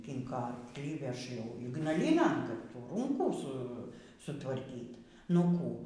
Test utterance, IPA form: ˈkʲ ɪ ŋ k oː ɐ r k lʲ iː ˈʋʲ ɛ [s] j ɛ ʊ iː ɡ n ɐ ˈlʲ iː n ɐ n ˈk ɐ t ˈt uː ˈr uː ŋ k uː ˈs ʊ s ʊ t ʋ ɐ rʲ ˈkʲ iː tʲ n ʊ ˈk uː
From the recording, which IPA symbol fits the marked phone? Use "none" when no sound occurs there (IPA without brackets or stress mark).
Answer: ʃ